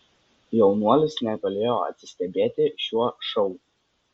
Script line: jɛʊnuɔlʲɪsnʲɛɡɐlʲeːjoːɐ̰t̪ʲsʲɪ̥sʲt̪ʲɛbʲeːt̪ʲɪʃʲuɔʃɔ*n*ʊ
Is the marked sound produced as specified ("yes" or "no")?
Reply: no